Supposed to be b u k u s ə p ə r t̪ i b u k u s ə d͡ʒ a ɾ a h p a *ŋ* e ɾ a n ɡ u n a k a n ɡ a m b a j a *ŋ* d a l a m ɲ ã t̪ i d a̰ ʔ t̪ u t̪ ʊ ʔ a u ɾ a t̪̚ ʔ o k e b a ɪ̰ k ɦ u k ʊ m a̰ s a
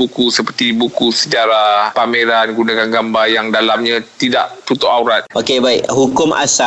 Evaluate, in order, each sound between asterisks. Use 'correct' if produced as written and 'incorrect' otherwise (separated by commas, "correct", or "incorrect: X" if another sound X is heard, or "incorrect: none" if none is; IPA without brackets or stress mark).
incorrect: m, correct